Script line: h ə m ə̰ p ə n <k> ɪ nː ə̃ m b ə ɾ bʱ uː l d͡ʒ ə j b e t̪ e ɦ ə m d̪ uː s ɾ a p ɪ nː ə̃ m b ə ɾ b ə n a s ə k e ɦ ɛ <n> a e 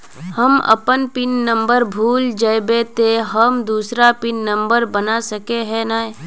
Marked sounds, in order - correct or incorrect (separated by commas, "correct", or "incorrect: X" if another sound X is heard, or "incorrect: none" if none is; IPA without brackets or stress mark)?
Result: incorrect: p, correct